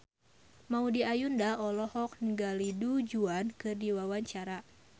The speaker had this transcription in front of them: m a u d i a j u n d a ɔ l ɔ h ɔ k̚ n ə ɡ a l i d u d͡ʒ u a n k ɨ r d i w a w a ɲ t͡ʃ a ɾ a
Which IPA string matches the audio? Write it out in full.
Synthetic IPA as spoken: m a u d i a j u n d a ɔ l ɔ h ɔ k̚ n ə ɡ a l i d u d͡ʒ u a n k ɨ r d i w a w a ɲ t͡ʃ a ɾ a